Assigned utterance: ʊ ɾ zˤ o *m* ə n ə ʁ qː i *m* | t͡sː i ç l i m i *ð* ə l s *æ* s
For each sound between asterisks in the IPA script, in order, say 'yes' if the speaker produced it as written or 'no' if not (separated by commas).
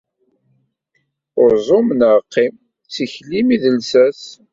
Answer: yes, yes, yes, yes